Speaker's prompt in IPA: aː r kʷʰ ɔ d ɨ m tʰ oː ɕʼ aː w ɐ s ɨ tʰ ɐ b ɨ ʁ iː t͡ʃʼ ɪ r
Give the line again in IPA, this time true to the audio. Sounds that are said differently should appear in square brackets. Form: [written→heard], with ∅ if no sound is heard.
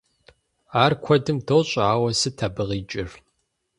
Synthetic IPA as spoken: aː r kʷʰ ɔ d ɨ m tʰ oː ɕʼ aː w ɐ s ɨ tʰ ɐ b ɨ ʁ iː t͡ʃʼ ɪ r

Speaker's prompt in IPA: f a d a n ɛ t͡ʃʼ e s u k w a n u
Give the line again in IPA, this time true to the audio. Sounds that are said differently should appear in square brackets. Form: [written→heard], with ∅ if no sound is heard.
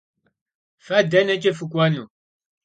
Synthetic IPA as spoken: f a d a n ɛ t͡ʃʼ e [s→f] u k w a n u

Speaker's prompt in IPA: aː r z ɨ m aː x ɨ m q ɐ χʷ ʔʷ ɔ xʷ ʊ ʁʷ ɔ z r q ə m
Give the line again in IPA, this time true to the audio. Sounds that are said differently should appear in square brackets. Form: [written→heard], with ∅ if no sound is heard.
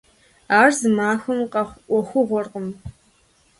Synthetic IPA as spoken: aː r z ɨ m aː x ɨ m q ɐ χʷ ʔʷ ɔ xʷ ʊ ʁʷ ɔ [z→∅] r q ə m

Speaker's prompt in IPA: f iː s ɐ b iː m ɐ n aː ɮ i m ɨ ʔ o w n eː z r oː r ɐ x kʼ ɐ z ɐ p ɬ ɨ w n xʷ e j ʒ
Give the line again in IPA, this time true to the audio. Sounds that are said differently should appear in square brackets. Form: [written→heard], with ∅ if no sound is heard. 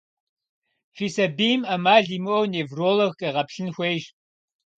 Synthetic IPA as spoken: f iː s ɐ b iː m ɐ [n→m] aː ɮ i m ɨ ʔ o w n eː [z→v] r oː [r→l] ɐ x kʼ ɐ [z→ʁ] ɐ p ɬ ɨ [w→∅] n xʷ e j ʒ

